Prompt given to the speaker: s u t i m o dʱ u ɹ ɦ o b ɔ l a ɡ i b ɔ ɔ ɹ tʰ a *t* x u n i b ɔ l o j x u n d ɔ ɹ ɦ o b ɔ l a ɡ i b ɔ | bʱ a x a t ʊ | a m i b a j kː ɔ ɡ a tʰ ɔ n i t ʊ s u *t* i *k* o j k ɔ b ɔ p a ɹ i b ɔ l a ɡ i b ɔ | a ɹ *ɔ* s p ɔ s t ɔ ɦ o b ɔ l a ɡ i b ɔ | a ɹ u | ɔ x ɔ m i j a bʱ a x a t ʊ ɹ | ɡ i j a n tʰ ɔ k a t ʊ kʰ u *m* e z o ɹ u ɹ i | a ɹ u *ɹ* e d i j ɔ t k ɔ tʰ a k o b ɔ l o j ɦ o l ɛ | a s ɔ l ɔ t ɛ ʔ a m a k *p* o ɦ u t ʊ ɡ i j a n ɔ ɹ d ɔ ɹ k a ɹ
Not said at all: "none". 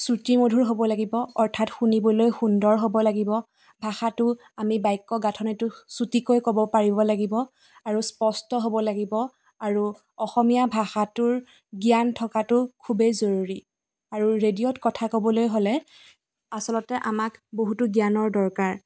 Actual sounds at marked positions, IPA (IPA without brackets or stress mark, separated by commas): t, t, k, u, b, ɹ, b